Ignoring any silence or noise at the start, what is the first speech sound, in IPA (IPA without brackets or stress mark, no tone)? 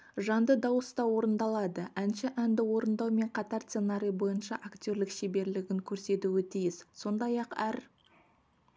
ʒ